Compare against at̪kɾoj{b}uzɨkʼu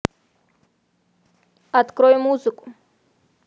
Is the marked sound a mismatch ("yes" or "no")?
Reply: yes